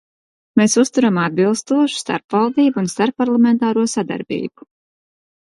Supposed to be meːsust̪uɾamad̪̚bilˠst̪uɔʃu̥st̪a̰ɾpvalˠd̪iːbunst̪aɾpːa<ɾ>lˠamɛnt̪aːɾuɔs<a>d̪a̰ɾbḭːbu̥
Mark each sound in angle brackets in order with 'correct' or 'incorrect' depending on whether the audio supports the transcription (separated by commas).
correct, correct